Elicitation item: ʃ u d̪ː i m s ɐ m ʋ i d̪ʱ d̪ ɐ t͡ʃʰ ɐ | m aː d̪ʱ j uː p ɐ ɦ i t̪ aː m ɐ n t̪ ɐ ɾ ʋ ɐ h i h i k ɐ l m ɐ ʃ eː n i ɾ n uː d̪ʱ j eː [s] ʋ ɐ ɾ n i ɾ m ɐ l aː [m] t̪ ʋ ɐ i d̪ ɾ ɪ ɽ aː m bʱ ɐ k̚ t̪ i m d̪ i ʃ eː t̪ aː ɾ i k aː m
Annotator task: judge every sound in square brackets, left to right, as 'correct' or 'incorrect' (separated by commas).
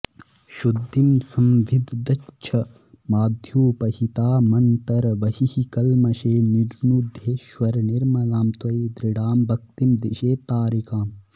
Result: incorrect, correct